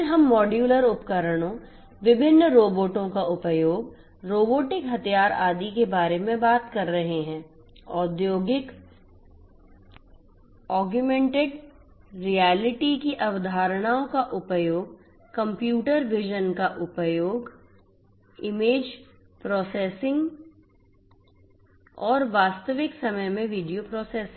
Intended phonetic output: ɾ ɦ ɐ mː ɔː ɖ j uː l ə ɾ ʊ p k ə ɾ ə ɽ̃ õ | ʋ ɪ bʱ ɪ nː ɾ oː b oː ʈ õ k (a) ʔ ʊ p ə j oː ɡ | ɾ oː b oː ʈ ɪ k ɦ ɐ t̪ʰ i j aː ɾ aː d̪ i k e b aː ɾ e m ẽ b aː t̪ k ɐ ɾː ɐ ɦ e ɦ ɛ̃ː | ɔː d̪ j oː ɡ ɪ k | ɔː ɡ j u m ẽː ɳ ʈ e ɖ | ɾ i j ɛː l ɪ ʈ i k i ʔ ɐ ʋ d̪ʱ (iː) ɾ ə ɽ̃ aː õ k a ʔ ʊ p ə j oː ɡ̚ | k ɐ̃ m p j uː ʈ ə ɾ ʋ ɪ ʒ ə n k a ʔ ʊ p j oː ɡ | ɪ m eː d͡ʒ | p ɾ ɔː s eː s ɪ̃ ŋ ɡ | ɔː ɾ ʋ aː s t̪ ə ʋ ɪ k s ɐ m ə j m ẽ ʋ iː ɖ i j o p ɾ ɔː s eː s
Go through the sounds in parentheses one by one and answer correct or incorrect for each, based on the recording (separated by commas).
correct, incorrect